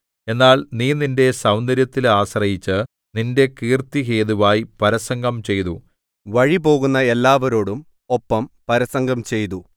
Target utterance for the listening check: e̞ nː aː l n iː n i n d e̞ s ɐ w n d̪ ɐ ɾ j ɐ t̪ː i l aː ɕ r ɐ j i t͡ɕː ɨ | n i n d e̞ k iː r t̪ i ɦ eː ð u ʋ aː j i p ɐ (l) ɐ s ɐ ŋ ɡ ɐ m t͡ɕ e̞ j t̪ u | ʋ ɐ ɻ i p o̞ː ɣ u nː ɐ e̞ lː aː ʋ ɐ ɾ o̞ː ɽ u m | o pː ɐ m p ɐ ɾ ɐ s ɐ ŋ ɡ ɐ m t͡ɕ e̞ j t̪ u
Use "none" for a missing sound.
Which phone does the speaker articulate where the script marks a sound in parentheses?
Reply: ɾ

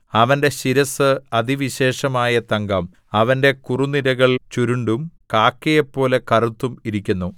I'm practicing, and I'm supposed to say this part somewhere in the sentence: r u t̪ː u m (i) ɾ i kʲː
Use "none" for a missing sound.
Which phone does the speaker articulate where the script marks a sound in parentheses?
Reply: i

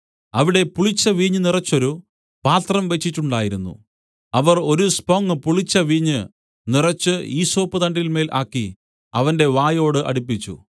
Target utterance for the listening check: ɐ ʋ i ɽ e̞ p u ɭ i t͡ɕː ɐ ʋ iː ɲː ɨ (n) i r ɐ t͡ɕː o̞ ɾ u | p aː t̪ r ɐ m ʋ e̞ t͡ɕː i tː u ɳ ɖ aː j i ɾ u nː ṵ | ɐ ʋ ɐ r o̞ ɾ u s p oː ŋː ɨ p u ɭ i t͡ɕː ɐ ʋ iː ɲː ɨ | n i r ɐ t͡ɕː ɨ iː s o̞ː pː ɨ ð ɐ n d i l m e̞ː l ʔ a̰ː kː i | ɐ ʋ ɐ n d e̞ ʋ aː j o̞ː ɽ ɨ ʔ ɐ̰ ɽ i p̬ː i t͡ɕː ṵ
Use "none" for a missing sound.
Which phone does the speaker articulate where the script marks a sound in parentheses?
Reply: n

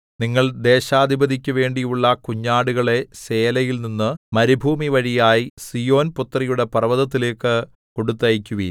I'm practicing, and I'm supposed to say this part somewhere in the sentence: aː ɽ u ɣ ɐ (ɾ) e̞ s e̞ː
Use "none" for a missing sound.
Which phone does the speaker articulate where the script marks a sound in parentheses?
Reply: ɭ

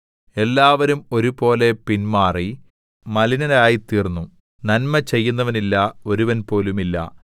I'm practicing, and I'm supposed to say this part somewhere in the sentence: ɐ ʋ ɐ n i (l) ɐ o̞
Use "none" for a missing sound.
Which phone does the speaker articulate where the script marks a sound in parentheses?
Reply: lː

